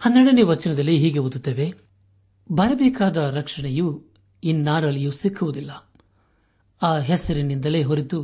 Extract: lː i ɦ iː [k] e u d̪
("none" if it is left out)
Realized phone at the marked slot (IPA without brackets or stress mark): ɡ